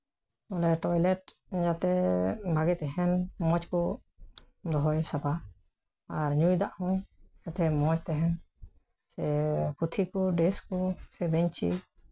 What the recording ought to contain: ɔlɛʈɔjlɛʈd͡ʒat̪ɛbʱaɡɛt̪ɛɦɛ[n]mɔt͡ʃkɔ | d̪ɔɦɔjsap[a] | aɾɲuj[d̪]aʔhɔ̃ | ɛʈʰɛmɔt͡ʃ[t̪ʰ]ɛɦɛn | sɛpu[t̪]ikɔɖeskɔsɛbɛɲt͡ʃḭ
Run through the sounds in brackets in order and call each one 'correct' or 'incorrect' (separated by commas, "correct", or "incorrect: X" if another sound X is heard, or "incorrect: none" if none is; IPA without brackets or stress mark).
correct, correct, correct, incorrect: t̪, incorrect: t̪ʰ